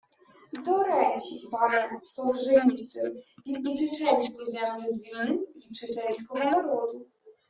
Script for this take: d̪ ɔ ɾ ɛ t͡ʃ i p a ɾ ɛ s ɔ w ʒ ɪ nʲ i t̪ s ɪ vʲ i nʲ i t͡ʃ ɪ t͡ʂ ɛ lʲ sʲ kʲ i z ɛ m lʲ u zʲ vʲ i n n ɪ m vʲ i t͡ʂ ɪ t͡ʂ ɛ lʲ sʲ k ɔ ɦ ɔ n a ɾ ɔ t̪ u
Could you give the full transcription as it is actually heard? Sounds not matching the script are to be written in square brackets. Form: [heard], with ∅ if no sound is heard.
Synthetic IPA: d̪ ɔ ɾ ɛ t͡ʃ i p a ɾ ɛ s ɔ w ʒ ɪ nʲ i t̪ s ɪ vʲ i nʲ i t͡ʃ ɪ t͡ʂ ɛ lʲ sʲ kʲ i z ɛ m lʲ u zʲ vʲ i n n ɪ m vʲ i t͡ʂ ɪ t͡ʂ ɛ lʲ sʲ k ɔ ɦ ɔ n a ɾ ɔ [d̪] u

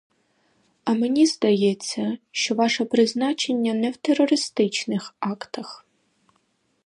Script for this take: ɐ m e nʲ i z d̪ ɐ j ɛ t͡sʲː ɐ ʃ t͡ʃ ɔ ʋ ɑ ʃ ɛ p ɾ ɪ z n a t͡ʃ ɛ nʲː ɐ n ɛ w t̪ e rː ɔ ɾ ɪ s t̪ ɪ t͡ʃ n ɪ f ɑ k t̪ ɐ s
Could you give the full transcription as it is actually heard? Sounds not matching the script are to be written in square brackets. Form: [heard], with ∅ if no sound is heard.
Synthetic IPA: ɐ m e nʲ i z d̪ ɐ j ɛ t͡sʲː ɐ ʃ t͡ʃ ɔ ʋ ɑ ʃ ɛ p ɾ ɪ z n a t͡ʃ [e] nʲː ɐ n ɛ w t̪ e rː ɔ ɾ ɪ s t̪ ɪ t͡ʃ n ɪ [x] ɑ k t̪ ɐ [x]

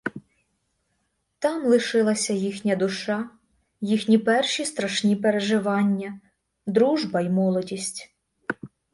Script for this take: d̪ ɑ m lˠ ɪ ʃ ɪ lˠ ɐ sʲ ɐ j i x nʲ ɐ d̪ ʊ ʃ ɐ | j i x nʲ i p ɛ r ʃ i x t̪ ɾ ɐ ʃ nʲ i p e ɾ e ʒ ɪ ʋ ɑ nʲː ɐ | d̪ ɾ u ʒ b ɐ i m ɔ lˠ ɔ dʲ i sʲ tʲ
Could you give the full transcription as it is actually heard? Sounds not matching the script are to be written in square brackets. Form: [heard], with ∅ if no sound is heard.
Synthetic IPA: [t̪] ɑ m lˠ ɪ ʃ ɪ lˠ ɐ sʲ ɐ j i x nʲ ɐ d̪ ʊ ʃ [ɑ] | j i x nʲ i p ɛ r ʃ i [s] t̪ ɾ ɐ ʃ nʲ i p e ɾ e ʒ ɪ ʋ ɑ nʲː ɐ | d̪ ɾ u ʒ b ɐ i m ɔ lˠ ɔ dʲ i sʲ tʲ

